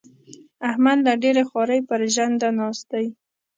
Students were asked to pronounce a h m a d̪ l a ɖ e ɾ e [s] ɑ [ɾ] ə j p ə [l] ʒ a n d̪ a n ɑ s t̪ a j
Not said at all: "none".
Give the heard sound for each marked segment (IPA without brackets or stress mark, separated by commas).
x, ɾ, ɾ